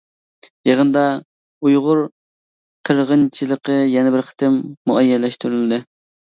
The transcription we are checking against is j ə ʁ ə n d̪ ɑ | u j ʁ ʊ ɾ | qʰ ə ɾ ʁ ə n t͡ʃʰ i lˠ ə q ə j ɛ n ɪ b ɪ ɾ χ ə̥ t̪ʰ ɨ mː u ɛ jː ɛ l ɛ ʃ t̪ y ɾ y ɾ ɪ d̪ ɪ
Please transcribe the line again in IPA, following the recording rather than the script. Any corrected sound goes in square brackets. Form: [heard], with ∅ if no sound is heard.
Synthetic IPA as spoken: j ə ʁ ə n d̪ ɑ | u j ʁ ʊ ɾ | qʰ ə ɾ ʁ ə n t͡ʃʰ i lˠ ə q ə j ɛ n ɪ b ɪ ɾ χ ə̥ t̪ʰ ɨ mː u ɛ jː ɛ l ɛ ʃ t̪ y ɾ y [l] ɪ d̪ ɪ